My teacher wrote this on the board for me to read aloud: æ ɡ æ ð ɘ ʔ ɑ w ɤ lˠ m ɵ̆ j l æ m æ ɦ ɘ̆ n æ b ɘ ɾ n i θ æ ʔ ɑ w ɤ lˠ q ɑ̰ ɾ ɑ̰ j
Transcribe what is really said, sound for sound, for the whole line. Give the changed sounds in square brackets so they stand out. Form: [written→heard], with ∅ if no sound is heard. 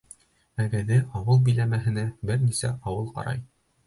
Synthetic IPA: æ ɡ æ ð ɘ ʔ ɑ w ɤ lˠ [m→b] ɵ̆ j l æ m æ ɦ ɘ̆ n æ b ɘ ɾ n i [θ→s] æ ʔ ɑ w ɤ lˠ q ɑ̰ ɾ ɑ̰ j